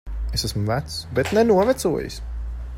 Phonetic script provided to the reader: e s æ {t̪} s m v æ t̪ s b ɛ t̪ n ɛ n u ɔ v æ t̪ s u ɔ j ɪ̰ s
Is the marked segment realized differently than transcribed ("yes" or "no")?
yes